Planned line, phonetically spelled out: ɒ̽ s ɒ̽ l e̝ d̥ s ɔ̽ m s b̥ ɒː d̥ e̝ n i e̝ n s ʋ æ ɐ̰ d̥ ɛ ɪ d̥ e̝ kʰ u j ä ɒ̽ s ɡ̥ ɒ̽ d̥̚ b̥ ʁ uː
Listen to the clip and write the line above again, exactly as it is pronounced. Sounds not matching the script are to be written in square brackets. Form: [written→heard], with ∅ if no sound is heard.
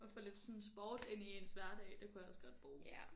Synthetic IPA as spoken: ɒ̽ [s→f] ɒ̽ l e̝ d̥ s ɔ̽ [m→n] s b̥ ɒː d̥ e̝ n i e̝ n s ʋ æ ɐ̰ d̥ ɛ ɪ d̥ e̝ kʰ u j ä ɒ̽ s ɡ̥ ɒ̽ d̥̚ b̥ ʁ uː